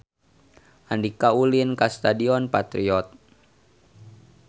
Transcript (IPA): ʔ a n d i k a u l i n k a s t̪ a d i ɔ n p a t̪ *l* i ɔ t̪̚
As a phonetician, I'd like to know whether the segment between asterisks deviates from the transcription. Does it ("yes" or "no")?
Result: yes